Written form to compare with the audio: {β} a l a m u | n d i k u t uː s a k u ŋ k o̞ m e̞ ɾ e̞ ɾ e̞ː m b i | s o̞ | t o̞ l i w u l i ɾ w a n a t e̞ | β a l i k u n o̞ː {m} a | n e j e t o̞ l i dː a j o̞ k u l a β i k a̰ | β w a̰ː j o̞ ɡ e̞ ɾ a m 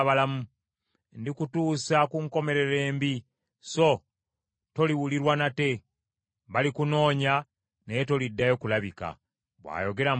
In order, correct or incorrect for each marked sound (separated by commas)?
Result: correct, incorrect